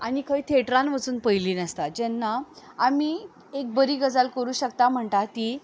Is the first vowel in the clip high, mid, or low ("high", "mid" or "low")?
low